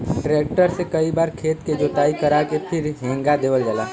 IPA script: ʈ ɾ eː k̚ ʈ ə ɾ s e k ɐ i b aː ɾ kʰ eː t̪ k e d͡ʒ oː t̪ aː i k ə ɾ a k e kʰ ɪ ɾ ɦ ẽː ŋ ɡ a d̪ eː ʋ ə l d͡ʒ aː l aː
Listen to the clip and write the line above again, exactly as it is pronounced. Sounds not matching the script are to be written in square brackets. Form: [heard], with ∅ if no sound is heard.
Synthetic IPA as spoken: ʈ ɾ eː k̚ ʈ ə ɾ s e k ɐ i b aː ɾ kʰ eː t̪ k e d͡ʒ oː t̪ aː i k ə ɾ a k e [pʰ] ɪ ɾ ɦ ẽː ŋ ɡ a d̪ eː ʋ ə l d͡ʒ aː l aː

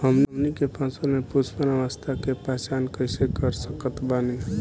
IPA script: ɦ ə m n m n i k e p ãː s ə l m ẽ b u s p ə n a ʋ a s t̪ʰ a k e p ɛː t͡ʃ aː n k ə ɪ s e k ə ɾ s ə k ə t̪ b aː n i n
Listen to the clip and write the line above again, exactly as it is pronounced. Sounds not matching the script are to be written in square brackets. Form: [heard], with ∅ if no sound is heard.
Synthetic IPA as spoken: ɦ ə m n m n i k e p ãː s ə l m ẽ [p] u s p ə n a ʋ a s t̪ʰ a k e p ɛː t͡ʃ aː n k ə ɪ s e k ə ɾ s ə k ə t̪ b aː n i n

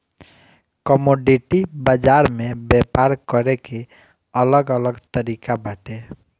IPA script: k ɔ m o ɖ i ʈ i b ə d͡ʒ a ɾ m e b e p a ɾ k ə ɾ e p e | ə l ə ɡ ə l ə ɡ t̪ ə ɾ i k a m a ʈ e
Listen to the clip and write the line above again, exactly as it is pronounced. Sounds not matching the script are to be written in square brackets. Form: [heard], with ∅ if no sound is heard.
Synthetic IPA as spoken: k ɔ m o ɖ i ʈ i b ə d͡ʒ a ɾ m e b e p a ɾ k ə ɾ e [k] e | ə l ə ɡ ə l ə ɡ t̪ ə ɾ i k a [b] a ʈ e

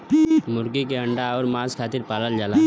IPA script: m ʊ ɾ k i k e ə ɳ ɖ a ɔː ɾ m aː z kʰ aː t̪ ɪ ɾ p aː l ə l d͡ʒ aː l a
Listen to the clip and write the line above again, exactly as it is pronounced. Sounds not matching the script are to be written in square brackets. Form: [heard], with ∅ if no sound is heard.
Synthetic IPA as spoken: m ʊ ɾ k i k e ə ɳ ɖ a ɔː ɾ m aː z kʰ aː t̪ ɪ ɾ p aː l ə l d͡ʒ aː l a

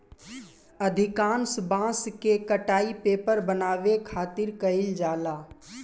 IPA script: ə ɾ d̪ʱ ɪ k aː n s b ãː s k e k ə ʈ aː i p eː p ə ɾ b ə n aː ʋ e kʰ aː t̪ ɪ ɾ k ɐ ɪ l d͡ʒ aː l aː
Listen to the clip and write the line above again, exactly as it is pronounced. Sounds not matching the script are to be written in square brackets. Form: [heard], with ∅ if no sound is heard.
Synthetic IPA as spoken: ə [∅] d̪ʱ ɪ k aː n s b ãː s k e k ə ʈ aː i p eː p ə ɾ b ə n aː ʋ e kʰ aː t̪ ɪ ɾ k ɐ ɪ l d͡ʒ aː l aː

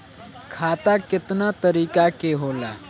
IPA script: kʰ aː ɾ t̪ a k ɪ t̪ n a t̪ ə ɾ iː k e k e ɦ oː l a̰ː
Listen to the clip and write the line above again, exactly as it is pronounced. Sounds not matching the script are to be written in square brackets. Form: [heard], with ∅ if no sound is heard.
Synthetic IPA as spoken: kʰ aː [∅] t̪ a k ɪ t̪ n a t̪ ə ɾ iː k [a] k e ɦ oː l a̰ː

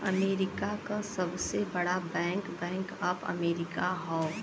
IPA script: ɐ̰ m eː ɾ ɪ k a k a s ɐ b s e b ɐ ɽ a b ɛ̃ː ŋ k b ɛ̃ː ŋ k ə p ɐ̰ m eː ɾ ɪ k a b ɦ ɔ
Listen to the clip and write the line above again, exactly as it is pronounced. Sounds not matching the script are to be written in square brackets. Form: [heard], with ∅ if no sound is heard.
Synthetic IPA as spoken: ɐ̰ m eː ɾ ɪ k a k a s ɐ b s e b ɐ ɽ a b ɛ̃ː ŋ k b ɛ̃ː ŋ k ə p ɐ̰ m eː ɾ ɪ k a [∅] ɦ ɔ

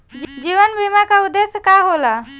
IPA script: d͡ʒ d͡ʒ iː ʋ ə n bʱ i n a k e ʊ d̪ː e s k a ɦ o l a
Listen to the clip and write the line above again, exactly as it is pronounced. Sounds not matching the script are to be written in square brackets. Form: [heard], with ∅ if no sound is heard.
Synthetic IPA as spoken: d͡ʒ d͡ʒ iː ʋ ə n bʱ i [m] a k [a] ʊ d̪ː e s k a ɦ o l a

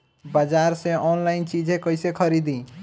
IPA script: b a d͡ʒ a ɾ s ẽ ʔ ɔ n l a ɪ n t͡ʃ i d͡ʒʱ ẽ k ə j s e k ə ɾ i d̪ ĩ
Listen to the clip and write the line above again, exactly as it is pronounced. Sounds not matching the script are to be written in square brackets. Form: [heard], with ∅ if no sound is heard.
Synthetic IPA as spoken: b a d͡ʒ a ɾ s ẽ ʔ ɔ n l a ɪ n t͡ʃ i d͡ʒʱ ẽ k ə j s e [kʰ] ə ɾ i d̪ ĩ

